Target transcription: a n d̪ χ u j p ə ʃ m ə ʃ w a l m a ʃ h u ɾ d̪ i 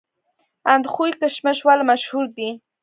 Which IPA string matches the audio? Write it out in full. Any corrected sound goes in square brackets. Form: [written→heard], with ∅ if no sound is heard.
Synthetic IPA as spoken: a n d̪ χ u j [p→k] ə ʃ m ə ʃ w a l m a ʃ h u ɾ d̪ i